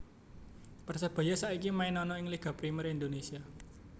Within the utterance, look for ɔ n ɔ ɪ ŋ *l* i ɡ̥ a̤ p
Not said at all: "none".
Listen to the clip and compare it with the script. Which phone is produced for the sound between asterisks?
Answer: l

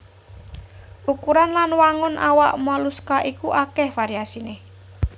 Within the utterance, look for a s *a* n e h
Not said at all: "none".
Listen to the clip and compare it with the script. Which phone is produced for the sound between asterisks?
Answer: i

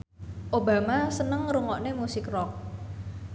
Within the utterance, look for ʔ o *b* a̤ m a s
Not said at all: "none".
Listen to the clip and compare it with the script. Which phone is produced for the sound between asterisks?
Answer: b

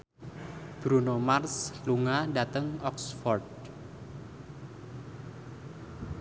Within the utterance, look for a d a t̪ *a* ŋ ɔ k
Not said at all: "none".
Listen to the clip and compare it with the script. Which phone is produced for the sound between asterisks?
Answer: ə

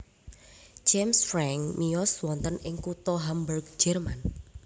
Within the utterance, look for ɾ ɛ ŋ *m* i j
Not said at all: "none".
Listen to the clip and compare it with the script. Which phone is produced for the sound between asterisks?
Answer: m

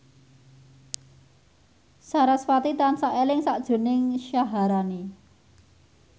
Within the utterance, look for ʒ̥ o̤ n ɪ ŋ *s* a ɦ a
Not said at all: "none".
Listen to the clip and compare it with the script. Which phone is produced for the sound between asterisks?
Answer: ʃ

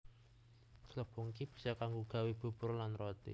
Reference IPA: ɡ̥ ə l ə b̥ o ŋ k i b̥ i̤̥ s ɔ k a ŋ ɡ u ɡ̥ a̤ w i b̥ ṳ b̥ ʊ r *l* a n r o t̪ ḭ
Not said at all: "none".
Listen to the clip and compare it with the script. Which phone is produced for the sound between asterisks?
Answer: l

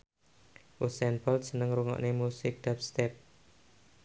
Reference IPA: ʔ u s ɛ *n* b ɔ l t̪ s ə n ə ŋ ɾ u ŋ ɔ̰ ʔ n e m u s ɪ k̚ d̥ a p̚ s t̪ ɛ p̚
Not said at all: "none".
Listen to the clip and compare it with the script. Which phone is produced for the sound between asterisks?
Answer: n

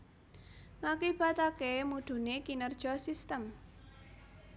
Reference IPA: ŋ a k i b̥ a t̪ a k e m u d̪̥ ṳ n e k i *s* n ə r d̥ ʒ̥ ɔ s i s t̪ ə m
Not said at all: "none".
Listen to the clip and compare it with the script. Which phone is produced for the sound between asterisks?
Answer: none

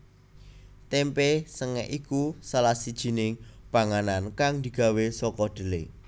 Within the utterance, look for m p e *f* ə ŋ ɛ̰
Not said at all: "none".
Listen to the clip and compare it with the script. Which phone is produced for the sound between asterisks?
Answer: s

